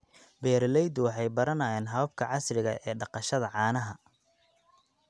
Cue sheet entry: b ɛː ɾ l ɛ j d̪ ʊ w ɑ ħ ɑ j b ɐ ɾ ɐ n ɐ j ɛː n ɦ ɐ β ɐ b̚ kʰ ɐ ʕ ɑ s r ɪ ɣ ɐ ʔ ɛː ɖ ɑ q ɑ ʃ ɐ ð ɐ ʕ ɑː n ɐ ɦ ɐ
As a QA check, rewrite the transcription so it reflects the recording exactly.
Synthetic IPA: b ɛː ɾ l ɛ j d̪ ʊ w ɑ ħ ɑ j b ɐ ɾ ɐ n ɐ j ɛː n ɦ ɐ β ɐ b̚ kʰ ɐ ʕ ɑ s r ɪ ɣ ɐ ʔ ɛː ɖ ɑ q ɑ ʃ ɐ ð ɐ ʕ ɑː n ɐ ɦ ɐ